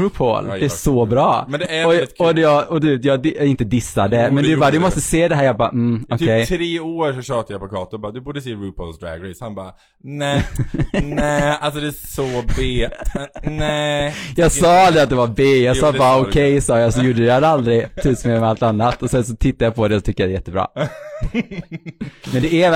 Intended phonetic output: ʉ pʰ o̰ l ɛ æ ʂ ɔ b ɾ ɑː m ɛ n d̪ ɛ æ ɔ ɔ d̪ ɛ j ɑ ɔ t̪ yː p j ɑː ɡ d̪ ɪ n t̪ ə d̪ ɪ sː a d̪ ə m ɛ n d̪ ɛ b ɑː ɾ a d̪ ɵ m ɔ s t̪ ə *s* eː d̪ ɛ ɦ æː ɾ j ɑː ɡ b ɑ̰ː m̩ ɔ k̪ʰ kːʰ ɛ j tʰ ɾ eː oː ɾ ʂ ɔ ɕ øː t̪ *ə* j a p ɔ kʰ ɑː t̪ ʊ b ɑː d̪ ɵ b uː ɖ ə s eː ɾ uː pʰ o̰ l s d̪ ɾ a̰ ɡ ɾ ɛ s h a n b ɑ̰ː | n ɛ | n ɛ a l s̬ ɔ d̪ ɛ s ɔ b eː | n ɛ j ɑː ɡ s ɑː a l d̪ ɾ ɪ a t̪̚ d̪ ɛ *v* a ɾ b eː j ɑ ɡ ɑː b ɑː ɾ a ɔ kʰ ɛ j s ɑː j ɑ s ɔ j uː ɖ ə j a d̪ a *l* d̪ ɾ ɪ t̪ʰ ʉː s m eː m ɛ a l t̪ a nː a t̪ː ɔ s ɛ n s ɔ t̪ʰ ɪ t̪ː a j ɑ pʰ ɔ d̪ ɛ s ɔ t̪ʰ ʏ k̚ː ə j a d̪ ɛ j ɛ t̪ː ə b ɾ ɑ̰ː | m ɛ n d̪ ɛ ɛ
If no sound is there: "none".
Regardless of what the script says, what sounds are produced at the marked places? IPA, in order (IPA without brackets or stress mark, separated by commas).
s, a, v, l